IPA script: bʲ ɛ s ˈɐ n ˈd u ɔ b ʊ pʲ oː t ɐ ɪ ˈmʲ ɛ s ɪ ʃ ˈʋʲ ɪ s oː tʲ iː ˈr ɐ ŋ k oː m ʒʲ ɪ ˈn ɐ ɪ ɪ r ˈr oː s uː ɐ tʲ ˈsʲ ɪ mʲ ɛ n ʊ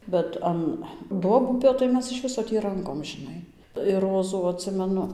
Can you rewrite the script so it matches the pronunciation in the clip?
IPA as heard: bʲ ɛ t ˈɐ n ˈd u ɔ b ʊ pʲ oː t ɐ ɪ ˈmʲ ɛ s ɪ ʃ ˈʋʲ ɪ s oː tʲ iː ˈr ɐ ŋ k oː m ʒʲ ɪ ˈn ɐ ɪ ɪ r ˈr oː z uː ɐ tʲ ˈsʲ ɪ mʲ ɛ n ʊ